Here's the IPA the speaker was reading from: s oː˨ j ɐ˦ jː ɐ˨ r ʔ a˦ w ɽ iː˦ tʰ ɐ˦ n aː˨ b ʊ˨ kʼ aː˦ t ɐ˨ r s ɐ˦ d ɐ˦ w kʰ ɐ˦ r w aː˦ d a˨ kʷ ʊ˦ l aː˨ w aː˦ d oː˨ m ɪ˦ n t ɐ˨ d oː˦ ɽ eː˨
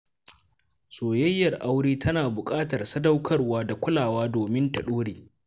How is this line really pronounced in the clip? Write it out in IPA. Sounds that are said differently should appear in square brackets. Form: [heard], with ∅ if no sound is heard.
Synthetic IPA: s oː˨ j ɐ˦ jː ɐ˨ r ʔ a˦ w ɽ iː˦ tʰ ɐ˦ n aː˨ b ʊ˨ kʼ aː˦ t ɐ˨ r s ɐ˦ d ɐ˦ w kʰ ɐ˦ r w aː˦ d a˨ kʷ ʊ˦ l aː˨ w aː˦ d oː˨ m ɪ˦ n t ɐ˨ [ɗ] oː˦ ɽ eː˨

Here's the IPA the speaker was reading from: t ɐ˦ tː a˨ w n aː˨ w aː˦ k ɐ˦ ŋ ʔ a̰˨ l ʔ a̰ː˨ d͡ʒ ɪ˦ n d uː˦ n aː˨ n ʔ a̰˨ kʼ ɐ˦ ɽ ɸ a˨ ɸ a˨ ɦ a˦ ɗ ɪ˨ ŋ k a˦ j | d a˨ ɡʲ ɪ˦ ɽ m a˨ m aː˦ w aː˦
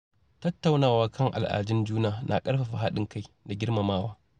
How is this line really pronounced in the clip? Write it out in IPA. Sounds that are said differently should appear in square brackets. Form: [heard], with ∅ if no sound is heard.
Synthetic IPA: t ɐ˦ tː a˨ w n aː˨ w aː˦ k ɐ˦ ŋ ʔ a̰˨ l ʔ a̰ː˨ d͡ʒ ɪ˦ n [d͡ʒ] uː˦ n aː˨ n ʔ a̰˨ kʼ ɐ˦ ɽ ɸ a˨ ɸ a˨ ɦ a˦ ɗ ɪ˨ ŋ k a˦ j | d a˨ ɡʲ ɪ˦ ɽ m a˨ m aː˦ w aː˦

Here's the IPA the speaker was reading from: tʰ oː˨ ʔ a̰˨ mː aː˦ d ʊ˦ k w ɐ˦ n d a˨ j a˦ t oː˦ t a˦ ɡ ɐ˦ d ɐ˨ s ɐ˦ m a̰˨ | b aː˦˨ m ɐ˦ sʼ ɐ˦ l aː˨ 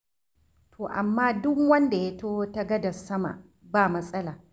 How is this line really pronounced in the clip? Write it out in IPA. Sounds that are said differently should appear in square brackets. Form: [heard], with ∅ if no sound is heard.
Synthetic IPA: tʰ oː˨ ʔ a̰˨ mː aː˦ d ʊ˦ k w ɐ˦ n d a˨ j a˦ t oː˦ t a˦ ɡ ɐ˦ d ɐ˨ s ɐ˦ m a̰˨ | b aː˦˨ m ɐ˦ sʼ ɐ˦ l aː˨

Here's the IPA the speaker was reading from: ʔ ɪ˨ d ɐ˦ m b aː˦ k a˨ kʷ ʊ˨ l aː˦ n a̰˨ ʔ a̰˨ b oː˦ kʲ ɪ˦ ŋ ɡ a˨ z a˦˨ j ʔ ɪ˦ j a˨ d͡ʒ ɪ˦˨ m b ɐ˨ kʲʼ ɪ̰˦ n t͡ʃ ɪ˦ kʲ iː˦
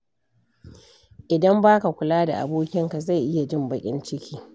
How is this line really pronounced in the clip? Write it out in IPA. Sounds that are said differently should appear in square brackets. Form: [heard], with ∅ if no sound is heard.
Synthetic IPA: ʔ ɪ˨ d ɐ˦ m b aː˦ k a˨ kʷ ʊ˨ l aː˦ [d] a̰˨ ʔ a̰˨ b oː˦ kʲ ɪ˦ ŋ [k] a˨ z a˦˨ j ʔ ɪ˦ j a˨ d͡ʒ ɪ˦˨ m b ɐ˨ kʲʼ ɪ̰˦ n t͡ʃ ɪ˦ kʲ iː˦

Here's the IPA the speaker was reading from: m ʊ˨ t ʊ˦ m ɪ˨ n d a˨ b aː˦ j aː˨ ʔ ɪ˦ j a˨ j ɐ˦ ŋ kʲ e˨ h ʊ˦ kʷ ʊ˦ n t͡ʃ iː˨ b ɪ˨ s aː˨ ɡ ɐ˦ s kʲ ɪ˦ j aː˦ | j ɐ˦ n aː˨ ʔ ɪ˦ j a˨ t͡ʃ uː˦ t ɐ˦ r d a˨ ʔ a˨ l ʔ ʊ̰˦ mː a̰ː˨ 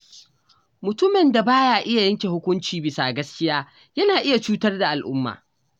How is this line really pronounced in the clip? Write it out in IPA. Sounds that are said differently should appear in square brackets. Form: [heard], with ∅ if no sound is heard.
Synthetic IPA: m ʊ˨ t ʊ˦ m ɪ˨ n d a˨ b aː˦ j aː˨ ʔ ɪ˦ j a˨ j ɐ˦ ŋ kʲ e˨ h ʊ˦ kʷ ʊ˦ n t͡ʃ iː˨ b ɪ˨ s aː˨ ɡ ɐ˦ s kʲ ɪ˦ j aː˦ | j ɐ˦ n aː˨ ʔ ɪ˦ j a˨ t͡ʃ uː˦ t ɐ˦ r d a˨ ʔ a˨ l ʔ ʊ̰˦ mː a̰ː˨

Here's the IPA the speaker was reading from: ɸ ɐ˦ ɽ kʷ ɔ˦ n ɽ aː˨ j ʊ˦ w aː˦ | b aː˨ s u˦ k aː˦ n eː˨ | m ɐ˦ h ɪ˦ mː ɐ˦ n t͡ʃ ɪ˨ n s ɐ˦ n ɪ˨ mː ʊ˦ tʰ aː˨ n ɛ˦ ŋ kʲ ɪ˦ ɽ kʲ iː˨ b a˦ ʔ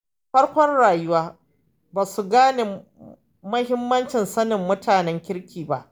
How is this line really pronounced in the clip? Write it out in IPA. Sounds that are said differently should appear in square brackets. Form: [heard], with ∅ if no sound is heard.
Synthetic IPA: ɸ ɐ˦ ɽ kʷ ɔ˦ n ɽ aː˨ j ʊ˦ w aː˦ | b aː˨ s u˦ [ɡ] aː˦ n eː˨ | m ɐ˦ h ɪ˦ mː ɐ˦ n t͡ʃ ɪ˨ n s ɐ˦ n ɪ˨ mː ʊ˦ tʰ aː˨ n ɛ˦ ŋ kʲ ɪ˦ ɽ kʲ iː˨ b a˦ ʔ

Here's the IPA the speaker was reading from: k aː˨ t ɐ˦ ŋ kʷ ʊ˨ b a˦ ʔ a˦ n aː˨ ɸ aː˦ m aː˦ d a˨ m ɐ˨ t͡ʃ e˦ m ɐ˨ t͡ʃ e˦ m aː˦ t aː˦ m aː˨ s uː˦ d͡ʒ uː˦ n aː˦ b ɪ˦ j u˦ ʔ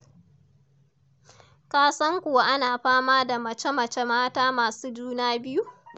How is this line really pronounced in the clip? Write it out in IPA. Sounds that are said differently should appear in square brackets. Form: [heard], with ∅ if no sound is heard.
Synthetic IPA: k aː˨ [s] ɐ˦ ŋ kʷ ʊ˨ [w] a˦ ʔ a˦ n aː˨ ɸ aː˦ m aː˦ d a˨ m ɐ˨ t͡ʃ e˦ m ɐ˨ t͡ʃ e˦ m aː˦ t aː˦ m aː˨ s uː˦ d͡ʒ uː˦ n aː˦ b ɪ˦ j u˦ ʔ

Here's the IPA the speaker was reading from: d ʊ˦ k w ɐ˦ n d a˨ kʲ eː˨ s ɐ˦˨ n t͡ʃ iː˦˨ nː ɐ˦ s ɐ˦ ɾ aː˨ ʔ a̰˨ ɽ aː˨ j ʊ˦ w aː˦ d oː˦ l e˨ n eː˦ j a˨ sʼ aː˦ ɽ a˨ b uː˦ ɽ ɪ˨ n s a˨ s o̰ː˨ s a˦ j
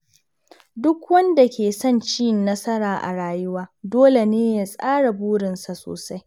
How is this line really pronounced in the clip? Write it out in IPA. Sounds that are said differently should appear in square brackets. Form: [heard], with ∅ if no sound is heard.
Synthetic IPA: d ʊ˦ k w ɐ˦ n d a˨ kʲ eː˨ s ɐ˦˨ n t͡ʃ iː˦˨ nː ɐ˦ s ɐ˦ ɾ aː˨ ʔ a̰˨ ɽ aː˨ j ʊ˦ w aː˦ d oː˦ l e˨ n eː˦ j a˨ sʼ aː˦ ɽ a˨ b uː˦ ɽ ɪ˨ n s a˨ s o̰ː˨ s a˦ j

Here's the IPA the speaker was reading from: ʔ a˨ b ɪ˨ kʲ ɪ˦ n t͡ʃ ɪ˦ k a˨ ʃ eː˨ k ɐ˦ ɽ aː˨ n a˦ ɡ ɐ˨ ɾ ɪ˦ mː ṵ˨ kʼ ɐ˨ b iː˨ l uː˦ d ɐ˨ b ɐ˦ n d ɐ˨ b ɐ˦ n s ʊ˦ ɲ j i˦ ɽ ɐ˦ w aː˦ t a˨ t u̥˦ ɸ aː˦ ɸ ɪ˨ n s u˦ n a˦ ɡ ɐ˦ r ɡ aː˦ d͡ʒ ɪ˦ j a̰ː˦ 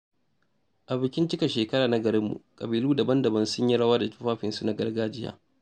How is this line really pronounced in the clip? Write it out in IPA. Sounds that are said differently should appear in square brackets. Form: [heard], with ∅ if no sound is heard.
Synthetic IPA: ʔ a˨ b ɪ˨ kʲ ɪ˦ n t͡ʃ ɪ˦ k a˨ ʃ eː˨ k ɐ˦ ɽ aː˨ n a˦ ɡ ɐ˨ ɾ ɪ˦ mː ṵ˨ kʼ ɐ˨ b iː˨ l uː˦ d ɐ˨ b ɐ˦ n d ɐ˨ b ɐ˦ n s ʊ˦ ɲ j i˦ ɽ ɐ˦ w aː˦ [d] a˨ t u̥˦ ɸ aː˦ ɸ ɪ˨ n s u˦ n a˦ ɡ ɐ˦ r ɡ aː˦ d͡ʒ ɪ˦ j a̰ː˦

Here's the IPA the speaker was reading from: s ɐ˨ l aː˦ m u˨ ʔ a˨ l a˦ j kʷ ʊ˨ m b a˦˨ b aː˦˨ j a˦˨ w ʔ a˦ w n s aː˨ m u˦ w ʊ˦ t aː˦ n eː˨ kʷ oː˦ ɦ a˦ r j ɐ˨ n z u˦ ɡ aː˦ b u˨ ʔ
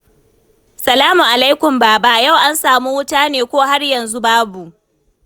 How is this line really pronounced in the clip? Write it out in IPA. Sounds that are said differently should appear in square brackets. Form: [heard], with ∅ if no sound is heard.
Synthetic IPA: s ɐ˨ l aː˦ m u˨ ʔ a˨ l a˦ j kʷ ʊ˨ m b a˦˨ b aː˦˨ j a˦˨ w ʔ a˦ [∅] n s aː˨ m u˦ w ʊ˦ t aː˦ n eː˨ kʷ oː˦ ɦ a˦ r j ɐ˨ n z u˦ [b] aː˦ b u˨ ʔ

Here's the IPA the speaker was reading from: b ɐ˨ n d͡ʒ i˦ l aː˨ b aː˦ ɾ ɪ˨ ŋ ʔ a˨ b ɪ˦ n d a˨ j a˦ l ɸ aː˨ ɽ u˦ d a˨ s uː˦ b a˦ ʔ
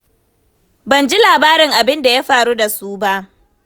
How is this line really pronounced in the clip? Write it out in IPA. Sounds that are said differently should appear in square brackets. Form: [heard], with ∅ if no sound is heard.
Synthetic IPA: b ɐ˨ n d͡ʒ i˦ l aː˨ b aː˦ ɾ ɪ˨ ŋ ʔ a˨ b ɪ˦ n d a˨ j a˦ [∅] ɸ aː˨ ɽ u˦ d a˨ s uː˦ b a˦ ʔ

